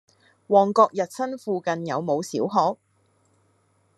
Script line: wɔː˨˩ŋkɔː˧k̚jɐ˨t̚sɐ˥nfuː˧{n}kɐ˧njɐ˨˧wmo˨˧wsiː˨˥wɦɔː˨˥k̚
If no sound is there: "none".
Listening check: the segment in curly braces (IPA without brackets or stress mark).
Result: none